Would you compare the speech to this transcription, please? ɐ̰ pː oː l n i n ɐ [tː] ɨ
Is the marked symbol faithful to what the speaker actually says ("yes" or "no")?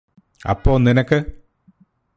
no